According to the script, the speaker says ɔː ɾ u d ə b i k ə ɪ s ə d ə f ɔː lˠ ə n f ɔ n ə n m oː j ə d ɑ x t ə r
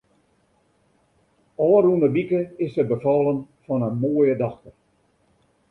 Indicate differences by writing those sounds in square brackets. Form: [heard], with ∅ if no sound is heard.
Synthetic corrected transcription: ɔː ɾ u [n] ə b i k ə ɪ s ə [b] ə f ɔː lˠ ə n f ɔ n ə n m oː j ə d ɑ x t ə r

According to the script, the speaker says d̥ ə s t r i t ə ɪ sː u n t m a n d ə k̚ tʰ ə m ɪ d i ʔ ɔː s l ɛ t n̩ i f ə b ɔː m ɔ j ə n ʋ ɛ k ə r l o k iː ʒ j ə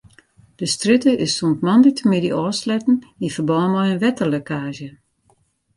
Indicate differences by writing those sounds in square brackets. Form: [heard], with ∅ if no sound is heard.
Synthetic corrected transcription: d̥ ə s t r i t ə ɪ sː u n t m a n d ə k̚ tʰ ə m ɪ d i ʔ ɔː s l ɛ t n̩ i f ə b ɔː m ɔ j ə n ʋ ɛ [t] ə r l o k [aː] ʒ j ə

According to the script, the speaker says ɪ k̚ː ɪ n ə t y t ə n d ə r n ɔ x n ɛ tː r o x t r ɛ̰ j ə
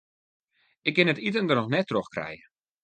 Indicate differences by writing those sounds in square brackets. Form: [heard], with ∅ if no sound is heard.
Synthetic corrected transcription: ɪ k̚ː ɪ n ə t [i] t ə n d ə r n ɔ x n ɛ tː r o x [k] r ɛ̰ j ə

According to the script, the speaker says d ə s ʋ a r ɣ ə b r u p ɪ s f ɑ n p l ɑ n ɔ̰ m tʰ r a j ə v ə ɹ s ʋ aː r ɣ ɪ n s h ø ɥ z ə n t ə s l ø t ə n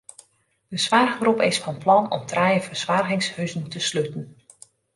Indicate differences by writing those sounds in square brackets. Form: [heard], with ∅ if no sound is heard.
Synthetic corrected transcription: d ə s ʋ a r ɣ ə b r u p ɪ s f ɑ n p l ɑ n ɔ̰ m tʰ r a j ə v ə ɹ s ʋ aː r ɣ ɪ [ŋ] s h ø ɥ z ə n t ə s l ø t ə n

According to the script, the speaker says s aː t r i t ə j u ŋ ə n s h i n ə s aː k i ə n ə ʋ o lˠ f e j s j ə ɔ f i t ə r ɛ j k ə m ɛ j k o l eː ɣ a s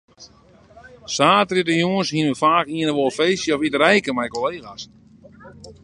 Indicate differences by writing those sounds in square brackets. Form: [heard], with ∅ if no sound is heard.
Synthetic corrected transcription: s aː t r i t ə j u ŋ ə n s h i n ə [f] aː k i ə n ə ʋ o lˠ f e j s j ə ɔ f i t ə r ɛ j k ə m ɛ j k o l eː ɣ a s

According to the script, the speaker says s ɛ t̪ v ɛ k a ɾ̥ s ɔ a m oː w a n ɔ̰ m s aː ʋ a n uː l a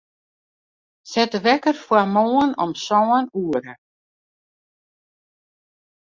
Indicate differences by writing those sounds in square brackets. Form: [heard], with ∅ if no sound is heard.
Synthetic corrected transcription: s ɛ t̪ v ɛ k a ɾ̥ [f] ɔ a m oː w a n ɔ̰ m s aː [w] a n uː [ɾ] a

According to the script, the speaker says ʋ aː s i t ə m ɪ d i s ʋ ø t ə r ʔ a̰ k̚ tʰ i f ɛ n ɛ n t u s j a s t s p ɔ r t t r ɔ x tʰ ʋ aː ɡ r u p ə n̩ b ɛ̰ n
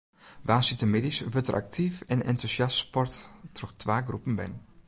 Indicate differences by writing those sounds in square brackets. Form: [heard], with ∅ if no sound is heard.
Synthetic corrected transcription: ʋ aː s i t ə m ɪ d i s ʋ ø t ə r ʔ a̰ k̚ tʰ i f ɛ n ɛ n t u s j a s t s p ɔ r t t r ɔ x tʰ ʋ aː ɡ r u p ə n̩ b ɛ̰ n

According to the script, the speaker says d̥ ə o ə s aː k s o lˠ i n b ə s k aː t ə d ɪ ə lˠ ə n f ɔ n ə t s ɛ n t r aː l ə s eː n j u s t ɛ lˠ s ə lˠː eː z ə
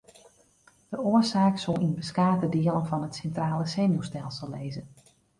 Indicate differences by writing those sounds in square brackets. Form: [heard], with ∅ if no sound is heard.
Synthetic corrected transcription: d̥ ə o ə s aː k s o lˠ i n b ə s k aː t ə d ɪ ə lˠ ə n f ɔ n ə t s ɛ n t r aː l ə s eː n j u s t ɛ lˠ s ə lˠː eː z ə

